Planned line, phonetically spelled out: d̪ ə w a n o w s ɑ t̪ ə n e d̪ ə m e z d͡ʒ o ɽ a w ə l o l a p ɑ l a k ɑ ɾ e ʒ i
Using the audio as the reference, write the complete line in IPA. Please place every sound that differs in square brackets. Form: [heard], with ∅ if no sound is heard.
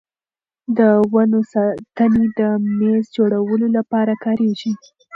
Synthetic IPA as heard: d̪ ə w a n o [∅] s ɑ t̪ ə n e d̪ ə m e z d͡ʒ o ɽ a w ə l o l a p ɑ [ɾ] a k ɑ ɾ e ʒ i